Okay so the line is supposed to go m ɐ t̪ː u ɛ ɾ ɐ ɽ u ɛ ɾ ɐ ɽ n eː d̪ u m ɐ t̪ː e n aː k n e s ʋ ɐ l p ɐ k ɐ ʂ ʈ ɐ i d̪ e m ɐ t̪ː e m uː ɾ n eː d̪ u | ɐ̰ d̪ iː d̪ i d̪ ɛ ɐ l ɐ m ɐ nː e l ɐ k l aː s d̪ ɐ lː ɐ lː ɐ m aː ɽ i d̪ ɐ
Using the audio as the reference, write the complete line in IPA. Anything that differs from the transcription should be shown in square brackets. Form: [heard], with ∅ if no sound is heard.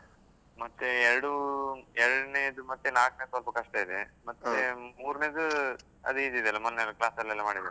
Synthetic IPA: m ɐ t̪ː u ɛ ɾ ɐ ɽ u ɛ ɾ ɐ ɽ n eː d̪ u m ɐ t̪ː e n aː k n e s ʋ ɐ l p ɐ k ɐ ʂ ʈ ɐ i d̪ e m ɐ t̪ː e m uː ɾ n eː d̪ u | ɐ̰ d̪ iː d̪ i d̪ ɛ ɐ l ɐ m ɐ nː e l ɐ k l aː s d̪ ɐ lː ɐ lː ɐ m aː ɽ i d̪ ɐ